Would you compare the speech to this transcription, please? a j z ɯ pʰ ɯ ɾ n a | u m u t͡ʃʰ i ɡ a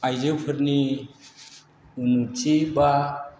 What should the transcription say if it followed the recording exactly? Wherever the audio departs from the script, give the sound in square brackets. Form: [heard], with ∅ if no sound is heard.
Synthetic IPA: a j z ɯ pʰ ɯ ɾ n [i] | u [n] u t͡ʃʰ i [b] a